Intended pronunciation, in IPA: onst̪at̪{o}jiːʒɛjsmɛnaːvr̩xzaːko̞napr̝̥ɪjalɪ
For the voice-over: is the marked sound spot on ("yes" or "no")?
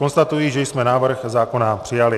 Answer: no